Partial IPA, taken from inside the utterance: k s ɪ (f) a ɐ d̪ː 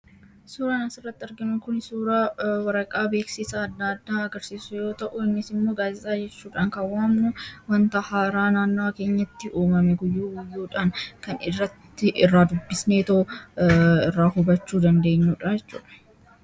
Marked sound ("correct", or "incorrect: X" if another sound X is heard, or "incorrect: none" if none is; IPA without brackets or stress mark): incorrect: s